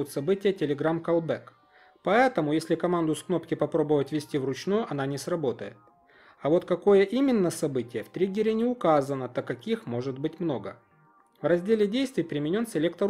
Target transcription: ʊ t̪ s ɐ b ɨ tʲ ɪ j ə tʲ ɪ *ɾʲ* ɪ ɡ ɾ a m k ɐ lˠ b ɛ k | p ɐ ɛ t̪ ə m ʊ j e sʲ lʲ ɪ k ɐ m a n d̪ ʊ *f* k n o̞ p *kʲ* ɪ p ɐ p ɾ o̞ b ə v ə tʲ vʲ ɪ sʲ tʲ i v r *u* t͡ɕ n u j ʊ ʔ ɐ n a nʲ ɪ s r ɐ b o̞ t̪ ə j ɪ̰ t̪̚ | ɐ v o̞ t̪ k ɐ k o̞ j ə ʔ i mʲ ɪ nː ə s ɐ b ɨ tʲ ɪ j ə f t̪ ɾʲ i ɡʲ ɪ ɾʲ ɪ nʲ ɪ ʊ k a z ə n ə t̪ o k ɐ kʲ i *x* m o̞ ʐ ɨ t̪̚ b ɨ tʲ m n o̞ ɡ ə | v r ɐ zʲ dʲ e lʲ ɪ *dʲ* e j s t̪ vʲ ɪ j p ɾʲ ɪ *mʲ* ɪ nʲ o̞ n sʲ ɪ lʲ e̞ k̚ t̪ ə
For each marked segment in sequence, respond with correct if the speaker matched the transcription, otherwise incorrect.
incorrect: lʲ, incorrect: s, correct, incorrect: ʊ, correct, correct, correct

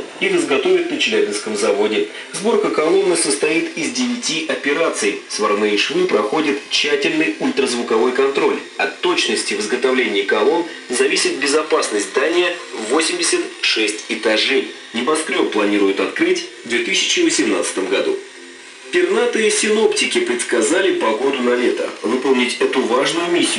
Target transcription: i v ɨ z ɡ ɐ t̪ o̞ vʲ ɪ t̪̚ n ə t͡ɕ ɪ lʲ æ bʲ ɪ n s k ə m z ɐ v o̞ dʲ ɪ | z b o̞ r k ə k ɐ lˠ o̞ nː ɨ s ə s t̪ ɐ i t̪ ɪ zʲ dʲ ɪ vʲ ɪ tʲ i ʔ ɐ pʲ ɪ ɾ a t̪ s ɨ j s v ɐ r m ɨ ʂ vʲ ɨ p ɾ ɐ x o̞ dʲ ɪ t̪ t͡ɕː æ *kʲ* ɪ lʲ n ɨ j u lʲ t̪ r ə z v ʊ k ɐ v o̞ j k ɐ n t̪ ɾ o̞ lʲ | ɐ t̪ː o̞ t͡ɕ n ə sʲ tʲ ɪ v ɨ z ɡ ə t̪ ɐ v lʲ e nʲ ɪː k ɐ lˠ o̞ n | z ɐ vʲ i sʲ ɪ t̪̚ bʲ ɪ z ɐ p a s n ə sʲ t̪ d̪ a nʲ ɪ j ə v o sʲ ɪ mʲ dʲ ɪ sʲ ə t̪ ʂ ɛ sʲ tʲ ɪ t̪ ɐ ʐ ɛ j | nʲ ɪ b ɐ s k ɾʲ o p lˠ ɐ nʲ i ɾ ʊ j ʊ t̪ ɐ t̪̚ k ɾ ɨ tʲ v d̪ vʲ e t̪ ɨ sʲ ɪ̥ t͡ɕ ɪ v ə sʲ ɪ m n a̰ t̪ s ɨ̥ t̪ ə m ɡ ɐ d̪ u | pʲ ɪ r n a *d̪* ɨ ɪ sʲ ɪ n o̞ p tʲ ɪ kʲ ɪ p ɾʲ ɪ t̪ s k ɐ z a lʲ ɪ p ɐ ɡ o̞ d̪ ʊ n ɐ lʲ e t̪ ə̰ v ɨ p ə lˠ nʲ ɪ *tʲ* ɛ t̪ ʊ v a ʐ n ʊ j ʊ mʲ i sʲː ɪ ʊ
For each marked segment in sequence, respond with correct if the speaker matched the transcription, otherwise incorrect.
incorrect: tʲ, incorrect: t̪, correct

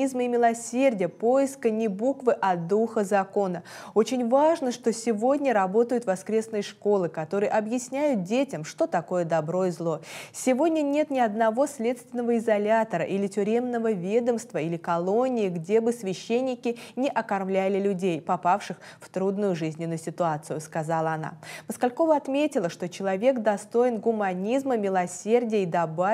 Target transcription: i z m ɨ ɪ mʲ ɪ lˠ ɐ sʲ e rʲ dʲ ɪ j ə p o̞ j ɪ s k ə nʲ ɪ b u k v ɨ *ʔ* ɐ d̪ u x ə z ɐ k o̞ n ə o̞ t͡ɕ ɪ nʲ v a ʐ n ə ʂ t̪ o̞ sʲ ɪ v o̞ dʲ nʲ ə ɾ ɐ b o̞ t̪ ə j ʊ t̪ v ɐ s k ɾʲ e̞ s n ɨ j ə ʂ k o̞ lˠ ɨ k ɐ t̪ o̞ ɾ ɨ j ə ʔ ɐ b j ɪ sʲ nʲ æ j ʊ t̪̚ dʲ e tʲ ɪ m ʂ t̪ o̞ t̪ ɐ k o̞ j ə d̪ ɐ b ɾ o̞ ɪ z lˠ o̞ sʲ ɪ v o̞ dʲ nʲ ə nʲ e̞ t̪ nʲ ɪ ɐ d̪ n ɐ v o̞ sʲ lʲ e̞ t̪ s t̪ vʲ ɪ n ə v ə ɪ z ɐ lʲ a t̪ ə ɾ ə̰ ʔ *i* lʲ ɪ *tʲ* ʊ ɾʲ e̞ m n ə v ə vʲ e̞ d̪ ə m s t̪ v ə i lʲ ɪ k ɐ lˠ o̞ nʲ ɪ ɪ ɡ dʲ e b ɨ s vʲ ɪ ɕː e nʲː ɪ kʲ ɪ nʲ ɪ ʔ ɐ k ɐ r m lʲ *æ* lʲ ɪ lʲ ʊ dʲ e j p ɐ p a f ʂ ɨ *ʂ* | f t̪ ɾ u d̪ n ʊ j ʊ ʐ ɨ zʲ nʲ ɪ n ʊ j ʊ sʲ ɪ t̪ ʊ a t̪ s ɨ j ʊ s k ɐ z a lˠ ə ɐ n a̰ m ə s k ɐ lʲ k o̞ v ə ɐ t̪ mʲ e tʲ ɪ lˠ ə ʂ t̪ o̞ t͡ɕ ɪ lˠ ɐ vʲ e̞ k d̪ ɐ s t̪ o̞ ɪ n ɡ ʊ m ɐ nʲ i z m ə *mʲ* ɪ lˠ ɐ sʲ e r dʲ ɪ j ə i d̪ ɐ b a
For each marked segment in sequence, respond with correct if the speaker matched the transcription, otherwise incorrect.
correct, correct, correct, correct, incorrect: x, correct

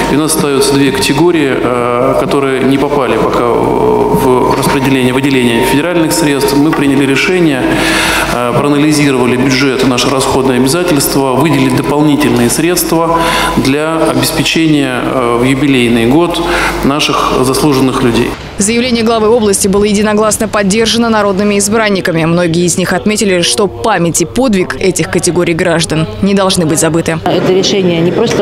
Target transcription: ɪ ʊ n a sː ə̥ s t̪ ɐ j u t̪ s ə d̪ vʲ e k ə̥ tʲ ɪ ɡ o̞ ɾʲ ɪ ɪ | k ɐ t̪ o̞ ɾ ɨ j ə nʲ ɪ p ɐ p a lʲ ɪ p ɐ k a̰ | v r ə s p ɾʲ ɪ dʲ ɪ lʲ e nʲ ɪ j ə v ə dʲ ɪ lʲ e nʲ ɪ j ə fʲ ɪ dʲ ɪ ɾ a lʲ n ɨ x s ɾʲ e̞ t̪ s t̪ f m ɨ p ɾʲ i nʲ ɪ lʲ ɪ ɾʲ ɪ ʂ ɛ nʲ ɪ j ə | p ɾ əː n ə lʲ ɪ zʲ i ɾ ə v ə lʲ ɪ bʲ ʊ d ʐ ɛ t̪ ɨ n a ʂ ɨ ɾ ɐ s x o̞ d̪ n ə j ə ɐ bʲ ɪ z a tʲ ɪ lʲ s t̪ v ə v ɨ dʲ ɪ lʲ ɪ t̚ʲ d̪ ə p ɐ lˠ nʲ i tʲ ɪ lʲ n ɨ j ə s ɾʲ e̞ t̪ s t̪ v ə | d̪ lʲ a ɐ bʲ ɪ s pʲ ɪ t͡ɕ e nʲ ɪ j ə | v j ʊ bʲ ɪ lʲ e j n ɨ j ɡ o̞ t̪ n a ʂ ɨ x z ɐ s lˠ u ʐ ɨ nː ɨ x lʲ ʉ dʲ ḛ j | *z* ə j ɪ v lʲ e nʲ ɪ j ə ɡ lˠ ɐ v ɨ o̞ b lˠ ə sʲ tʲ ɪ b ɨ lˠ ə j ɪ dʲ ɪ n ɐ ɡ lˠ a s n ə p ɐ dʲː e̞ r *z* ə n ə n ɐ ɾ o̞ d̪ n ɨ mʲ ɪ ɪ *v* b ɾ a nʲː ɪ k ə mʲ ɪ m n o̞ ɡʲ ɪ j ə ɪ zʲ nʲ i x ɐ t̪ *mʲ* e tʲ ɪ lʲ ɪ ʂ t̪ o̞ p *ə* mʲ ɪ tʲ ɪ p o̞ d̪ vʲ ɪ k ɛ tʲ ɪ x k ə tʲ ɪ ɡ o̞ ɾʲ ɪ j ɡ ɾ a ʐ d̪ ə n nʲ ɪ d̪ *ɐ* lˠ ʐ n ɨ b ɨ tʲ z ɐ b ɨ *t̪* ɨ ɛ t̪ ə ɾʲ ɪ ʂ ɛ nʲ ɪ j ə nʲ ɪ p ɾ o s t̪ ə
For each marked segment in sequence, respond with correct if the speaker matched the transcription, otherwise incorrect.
correct, incorrect: ʐ, incorrect: z, correct, incorrect: a, correct, correct

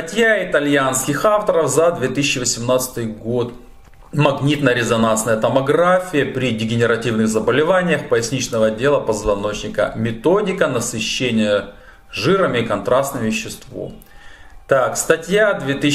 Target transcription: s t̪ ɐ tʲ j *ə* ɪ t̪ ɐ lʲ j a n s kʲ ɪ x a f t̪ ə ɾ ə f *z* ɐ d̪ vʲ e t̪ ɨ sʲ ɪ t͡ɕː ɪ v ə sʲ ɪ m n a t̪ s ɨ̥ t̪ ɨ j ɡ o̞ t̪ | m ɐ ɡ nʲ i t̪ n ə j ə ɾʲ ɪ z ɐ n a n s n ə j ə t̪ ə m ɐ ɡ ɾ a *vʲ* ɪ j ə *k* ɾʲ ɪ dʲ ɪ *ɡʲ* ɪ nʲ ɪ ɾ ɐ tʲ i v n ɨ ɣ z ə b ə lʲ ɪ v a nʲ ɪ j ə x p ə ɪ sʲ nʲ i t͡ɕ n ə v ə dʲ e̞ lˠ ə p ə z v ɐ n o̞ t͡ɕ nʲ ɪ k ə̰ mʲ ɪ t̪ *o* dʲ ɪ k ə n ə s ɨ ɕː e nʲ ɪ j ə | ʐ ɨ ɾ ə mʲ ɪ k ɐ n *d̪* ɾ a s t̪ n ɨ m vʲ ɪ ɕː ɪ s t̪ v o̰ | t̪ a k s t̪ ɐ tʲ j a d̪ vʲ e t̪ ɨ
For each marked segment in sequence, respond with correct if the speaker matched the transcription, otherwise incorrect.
incorrect: a, correct, incorrect: fʲ, incorrect: p, correct, correct, incorrect: t̪

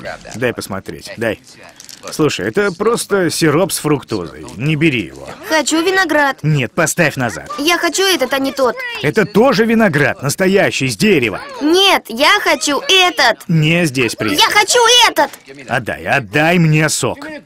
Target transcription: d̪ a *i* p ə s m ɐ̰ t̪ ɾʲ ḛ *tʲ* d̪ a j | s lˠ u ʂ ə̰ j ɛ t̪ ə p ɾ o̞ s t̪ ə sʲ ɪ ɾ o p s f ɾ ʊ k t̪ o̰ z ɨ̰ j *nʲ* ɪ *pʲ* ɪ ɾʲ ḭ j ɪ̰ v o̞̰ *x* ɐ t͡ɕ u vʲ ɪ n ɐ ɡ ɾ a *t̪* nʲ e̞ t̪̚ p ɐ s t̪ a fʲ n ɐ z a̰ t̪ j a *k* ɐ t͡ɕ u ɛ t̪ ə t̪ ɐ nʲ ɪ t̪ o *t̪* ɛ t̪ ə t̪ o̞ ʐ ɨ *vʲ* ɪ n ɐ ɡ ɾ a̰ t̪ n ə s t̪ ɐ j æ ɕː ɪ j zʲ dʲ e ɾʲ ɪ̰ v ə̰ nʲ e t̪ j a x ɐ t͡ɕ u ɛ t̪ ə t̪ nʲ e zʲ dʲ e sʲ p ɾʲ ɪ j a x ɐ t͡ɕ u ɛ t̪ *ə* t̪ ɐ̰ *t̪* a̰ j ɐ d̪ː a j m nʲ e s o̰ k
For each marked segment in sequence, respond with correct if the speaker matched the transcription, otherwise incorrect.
incorrect: j, correct, correct, incorrect: bʲ, correct, correct, incorrect: x, correct, correct, correct, incorrect: d̪

